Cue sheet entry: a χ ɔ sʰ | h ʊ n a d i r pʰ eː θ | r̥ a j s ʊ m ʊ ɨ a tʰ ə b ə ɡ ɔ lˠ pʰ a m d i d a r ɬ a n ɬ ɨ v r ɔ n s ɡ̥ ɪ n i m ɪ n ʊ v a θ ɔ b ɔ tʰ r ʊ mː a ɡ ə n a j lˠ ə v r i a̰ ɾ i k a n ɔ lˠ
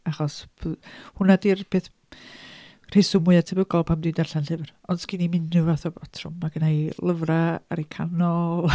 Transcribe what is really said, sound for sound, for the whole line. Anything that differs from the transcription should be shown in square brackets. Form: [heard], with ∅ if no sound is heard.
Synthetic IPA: a χ ɔ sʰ | h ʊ n a d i r pʰ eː θ | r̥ [e] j s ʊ m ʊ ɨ a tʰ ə b ə ɡ ɔ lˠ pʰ a m d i d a r ɬ a n ɬ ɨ v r ɔ n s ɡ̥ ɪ n i m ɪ n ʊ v a θ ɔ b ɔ tʰ r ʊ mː a ɡ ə n a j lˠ ə v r [a] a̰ ɾ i [kʰ] a n ɔ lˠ